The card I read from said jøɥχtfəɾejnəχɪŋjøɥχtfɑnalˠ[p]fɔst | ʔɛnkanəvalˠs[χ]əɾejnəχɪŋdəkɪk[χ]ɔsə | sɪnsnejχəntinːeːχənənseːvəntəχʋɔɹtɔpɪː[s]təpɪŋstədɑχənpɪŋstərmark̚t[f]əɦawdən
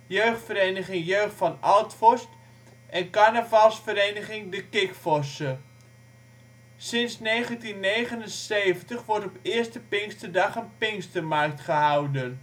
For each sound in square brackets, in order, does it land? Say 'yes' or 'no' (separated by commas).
no, no, no, yes, no